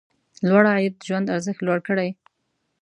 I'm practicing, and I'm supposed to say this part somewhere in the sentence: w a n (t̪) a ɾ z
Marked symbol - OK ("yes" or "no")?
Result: no